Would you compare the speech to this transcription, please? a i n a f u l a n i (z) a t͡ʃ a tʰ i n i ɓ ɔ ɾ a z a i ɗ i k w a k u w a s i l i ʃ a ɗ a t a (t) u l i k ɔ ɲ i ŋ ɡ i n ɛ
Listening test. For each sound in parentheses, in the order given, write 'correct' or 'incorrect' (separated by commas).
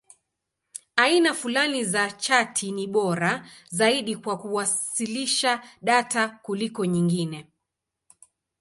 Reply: correct, incorrect